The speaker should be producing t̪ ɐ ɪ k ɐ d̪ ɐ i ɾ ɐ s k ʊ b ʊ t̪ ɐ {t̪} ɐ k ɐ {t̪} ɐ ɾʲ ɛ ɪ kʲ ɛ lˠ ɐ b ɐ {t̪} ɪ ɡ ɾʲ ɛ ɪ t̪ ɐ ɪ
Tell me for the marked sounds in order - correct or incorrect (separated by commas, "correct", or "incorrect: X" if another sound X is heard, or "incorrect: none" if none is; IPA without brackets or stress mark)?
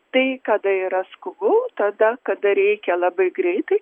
incorrect: d̪, incorrect: d̪, incorrect: none